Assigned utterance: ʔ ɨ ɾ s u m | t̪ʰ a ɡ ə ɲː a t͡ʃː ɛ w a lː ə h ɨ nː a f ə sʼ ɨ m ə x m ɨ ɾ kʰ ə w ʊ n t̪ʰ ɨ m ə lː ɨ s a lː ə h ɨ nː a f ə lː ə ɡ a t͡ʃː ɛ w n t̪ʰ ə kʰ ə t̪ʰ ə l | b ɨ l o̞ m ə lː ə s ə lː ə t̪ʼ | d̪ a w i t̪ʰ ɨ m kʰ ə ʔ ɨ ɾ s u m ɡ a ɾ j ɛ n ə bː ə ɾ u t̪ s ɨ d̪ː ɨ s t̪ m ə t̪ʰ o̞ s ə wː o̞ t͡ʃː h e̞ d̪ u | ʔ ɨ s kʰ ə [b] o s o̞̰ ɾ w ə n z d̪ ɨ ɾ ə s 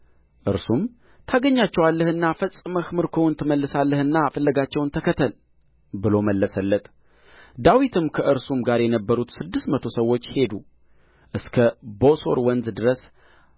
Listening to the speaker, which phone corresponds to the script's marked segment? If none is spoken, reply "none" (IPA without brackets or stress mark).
b